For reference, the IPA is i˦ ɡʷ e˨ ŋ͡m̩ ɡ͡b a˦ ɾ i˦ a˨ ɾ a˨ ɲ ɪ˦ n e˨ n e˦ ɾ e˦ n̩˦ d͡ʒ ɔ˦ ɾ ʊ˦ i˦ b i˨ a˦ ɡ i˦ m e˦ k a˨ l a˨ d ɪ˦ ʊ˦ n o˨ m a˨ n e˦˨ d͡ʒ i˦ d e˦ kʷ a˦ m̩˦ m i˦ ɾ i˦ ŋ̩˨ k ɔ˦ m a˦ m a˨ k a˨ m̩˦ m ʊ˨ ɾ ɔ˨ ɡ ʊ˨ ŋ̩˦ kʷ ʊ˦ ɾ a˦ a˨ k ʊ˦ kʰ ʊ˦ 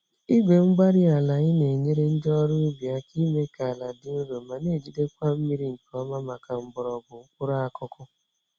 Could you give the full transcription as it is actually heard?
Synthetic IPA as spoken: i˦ ɡʷ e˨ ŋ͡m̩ ɡ͡b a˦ ɾ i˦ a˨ l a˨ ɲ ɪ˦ n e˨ ɲ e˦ ɾ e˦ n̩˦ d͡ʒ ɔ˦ ɾ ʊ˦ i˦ b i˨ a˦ k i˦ m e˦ k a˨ l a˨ d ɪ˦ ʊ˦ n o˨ m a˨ n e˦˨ d͡ʒ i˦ d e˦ kʷ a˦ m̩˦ m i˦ ɾ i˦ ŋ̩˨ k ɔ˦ m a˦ m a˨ k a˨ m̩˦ b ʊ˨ ɾ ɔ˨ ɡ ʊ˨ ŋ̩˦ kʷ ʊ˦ ɾ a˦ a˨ k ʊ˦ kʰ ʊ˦